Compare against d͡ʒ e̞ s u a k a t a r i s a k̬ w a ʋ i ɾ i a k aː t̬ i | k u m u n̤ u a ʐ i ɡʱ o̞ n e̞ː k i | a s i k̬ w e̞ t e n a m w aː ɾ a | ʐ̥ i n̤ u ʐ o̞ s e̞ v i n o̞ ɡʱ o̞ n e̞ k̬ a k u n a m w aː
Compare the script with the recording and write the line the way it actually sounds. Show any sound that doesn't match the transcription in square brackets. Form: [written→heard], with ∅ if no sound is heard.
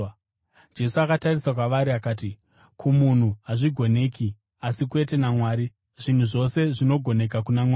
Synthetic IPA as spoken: d͡ʒ e̞ s u a k a t a r i s a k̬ w a ʋ [i→a] ɾ i a k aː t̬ i | k u m u n̤ u a ʐ i ɡʱ o̞ n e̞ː k i | a s i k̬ w e̞ t e n a m w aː ɾ [a→i] | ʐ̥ i n̤ u ʐ o̞ s e̞ [v→ʐ] i n o̞ ɡʱ o̞ n e̞ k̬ a k u n a m w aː